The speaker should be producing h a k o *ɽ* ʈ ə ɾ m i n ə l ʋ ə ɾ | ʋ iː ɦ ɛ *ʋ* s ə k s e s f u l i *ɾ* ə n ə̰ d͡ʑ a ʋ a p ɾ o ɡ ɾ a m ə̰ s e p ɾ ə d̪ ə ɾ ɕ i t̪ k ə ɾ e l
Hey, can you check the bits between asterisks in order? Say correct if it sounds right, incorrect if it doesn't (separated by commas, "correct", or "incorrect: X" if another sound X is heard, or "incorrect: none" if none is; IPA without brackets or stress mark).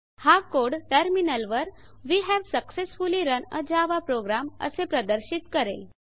correct, correct, correct